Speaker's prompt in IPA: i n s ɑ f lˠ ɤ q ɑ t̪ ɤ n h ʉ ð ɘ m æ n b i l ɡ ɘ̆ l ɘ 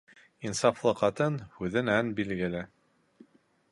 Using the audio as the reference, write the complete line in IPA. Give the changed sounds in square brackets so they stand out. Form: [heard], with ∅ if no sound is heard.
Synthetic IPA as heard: i n s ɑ f lˠ ɤ q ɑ t̪ ɤ n h ʉ ð ɘ [n] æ n b i l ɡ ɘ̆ l ɘ